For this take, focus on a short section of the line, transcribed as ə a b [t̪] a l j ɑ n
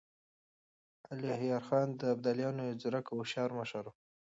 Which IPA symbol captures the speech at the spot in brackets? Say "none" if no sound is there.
d̪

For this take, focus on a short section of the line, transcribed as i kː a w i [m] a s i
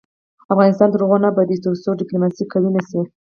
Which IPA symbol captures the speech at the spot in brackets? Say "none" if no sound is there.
n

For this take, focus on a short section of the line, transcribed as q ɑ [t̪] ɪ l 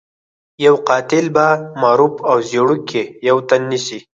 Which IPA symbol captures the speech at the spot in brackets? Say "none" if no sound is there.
t̪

